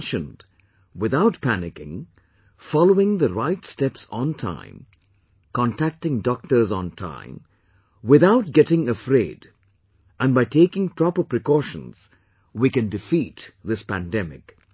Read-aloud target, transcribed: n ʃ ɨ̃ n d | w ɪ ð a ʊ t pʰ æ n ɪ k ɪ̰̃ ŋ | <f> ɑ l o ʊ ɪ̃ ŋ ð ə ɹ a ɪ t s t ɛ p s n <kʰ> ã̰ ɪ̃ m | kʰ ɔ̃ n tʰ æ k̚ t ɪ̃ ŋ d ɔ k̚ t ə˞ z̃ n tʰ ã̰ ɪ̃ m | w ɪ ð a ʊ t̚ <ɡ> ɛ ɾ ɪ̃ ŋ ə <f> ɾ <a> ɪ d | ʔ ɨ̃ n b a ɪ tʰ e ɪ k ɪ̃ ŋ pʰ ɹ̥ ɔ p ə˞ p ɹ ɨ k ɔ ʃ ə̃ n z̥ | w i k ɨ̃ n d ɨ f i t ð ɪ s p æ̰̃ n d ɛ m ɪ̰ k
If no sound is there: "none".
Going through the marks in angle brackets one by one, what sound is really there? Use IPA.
f, tʰ, ɡ, f, e

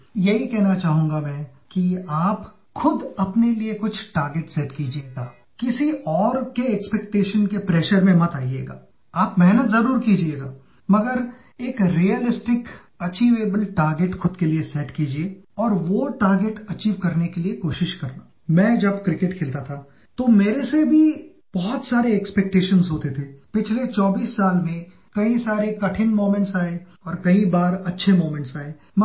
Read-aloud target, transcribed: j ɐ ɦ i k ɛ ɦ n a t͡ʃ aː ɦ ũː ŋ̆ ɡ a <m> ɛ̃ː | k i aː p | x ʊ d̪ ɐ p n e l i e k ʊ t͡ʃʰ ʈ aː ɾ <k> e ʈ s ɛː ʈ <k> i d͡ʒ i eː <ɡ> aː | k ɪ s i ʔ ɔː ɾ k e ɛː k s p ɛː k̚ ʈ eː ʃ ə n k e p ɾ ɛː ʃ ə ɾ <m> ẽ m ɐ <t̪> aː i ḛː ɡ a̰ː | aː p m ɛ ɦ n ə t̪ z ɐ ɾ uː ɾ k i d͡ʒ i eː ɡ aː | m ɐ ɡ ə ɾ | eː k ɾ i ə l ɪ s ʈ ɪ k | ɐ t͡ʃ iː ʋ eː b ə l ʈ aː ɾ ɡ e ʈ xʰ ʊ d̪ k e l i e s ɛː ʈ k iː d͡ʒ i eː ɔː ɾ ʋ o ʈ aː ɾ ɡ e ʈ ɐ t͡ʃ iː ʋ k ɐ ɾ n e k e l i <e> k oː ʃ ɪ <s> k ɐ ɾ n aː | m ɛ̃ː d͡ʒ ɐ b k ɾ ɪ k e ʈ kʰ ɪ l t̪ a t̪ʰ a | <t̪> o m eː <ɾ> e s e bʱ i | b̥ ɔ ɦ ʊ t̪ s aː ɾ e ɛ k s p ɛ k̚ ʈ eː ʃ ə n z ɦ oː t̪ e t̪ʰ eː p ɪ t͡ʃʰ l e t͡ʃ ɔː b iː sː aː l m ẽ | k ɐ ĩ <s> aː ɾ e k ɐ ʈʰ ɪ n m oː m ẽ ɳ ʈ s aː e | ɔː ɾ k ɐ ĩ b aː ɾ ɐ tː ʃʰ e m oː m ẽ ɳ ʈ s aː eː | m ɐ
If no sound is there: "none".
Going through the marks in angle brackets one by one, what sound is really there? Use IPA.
m, ɡ, k, ɡ, m, t̪, e, ʃ, t̪, ɾ, s

